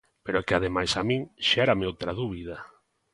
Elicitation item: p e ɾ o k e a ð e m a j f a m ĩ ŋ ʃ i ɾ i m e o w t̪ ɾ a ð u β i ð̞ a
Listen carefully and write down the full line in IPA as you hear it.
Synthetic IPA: p e ɾ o k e a ð e m a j s a m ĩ ŋ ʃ ɛ ɾ a m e o w t̪ ɾ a ð u β i ð̞ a